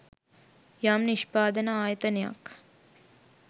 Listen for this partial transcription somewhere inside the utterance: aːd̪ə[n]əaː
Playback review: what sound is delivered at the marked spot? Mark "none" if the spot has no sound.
n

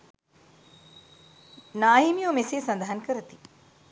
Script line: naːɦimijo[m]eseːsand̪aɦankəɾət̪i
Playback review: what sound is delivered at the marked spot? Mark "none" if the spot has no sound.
m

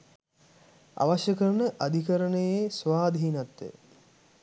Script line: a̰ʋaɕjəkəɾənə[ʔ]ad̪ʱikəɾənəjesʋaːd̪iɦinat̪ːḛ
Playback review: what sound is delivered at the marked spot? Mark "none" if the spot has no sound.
ʔ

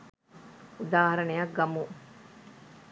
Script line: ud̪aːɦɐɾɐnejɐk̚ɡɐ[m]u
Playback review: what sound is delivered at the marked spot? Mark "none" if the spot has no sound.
m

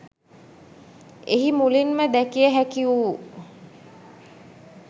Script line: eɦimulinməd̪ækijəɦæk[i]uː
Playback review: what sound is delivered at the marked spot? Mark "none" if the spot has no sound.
i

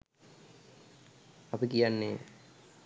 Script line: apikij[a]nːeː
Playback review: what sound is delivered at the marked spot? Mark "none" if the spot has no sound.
a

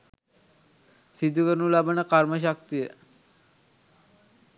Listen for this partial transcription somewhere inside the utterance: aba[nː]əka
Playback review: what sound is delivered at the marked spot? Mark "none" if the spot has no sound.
n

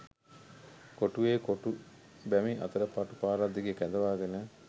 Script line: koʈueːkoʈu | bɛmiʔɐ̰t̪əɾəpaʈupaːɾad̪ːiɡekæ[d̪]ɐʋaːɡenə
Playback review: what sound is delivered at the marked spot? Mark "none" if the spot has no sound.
d̪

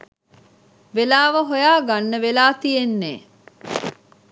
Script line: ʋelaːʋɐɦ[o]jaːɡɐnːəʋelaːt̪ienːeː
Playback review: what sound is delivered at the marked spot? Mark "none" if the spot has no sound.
o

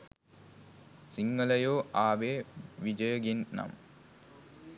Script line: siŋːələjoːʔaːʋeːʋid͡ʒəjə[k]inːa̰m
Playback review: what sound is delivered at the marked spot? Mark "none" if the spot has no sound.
ɡ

